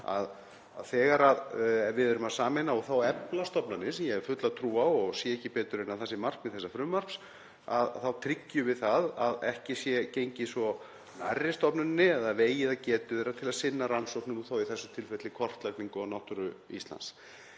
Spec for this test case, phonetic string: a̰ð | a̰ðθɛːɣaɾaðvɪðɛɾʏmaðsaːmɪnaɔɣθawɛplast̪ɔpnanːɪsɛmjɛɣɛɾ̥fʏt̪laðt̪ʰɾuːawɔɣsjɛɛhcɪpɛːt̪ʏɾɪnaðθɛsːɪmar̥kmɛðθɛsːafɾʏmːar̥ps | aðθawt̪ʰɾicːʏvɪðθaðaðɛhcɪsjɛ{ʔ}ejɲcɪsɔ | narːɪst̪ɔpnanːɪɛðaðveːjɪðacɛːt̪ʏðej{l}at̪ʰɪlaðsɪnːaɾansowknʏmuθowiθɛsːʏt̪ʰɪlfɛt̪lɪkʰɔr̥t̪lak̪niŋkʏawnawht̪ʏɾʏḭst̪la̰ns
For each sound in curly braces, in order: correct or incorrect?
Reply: incorrect: c, incorrect: ɾ

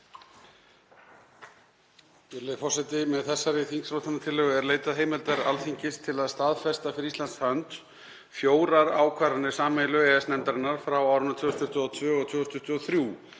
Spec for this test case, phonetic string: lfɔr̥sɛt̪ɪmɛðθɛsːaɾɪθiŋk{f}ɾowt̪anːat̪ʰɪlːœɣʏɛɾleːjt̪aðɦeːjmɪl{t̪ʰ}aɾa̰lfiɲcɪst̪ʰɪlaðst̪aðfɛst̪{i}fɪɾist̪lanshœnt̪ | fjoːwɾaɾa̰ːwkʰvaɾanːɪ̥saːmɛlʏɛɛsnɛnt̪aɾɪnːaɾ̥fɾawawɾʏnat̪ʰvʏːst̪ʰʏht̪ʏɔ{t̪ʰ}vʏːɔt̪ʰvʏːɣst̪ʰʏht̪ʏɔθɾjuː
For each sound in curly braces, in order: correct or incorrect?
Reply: incorrect: s, incorrect: t̪, incorrect: a, correct

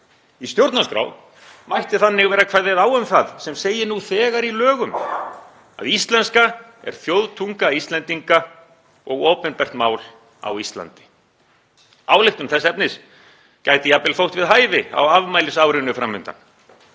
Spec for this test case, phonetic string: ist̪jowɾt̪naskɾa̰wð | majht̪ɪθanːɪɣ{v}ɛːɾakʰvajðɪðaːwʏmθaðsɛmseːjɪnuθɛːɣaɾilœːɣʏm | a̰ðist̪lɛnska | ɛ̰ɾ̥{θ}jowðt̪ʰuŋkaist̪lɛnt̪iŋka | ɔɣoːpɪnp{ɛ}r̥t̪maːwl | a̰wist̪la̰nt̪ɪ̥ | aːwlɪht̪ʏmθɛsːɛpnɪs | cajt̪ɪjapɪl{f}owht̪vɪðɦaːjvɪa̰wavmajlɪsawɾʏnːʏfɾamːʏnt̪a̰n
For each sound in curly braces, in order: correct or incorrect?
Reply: correct, correct, correct, correct

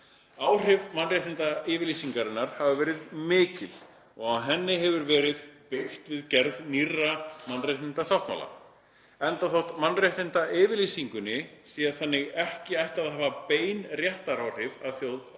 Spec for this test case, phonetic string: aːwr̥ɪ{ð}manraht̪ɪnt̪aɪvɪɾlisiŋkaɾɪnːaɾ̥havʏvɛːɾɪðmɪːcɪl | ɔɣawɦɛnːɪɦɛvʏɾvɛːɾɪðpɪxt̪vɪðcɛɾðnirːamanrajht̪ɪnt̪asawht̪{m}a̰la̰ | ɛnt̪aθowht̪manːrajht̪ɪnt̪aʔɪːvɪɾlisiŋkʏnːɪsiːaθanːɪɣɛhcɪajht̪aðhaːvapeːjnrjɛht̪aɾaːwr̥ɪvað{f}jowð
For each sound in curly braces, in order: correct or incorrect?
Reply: incorrect: v, correct, incorrect: θ

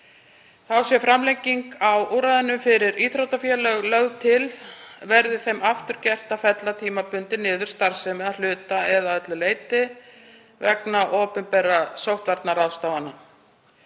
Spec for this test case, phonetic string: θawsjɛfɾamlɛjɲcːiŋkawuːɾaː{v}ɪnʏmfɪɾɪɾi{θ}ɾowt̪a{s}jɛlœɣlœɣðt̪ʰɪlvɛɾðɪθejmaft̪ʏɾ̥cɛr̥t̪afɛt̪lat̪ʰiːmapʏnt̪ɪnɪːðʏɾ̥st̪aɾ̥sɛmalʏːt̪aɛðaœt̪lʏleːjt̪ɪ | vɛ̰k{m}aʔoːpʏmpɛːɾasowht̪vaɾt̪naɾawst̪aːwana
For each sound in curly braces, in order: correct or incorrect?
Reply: incorrect: ð, correct, incorrect: f, incorrect: n

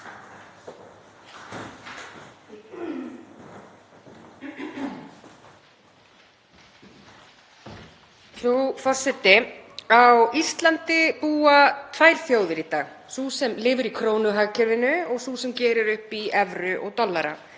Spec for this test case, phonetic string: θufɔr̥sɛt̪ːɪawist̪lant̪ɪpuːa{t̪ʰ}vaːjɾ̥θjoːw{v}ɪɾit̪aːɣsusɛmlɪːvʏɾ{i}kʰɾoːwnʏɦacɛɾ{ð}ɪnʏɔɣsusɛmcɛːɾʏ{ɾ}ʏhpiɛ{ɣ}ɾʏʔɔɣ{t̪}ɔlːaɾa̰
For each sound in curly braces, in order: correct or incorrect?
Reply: correct, incorrect: ð, correct, incorrect: v, correct, incorrect: v, correct

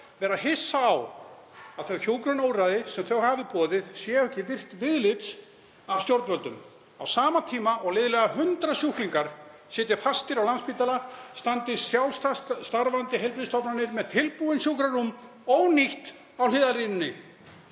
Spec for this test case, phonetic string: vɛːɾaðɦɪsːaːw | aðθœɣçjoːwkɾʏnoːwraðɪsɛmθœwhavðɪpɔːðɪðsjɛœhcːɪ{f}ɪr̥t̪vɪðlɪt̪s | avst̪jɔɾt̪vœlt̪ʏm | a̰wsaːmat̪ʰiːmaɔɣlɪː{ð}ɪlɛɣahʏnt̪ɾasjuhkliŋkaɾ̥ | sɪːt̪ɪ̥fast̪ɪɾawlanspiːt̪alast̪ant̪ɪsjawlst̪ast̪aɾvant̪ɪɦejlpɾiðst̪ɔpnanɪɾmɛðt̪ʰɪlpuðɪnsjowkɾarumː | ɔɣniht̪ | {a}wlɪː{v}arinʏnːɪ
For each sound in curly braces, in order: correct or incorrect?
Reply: incorrect: v, correct, correct, incorrect: ð

